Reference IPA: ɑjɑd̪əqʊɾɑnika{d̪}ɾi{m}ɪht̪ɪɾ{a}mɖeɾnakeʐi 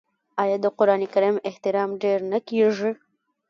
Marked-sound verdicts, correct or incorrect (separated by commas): incorrect, correct, incorrect